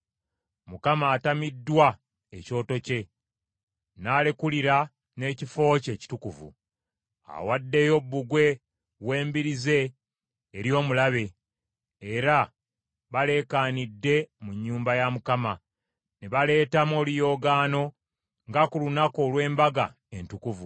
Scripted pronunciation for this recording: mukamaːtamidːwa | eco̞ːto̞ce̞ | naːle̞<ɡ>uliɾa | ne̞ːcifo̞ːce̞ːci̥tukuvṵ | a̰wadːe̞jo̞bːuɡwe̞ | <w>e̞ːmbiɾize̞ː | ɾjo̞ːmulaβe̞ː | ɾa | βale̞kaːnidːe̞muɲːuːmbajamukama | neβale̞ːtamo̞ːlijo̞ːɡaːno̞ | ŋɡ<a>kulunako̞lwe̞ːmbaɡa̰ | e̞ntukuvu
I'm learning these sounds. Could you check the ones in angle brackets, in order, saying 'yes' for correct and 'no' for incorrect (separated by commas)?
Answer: no, yes, yes